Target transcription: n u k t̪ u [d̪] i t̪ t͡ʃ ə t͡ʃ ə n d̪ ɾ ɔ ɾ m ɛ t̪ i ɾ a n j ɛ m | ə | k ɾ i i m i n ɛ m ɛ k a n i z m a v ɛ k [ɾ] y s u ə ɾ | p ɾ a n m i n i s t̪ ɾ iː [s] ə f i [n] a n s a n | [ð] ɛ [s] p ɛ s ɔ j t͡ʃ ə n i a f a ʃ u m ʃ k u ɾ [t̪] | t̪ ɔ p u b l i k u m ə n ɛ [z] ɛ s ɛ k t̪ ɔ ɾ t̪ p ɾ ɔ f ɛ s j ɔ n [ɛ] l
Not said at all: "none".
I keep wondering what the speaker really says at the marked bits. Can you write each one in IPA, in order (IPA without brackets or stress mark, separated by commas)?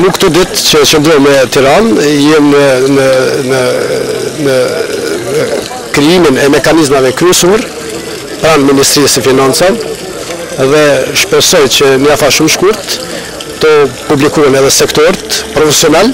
d̪, ɾ, s, n, ð, ʃ, t̪, ð, ɛ